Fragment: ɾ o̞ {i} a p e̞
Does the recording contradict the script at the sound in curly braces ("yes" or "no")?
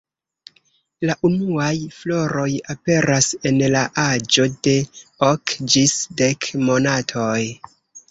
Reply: yes